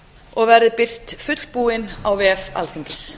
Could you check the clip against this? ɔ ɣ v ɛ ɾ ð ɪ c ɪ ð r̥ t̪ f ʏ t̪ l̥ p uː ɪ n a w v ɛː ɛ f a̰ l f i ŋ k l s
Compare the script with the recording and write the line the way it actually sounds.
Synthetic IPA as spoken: ɔ ɣ v ɛ ɾ ð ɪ p ɪ r̥ t̪ f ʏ t̪ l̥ p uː ɪ n a w v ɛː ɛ f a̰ l θ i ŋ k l s